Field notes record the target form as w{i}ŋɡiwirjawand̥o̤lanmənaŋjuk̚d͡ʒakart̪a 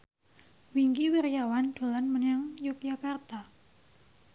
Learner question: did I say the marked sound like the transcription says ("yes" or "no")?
yes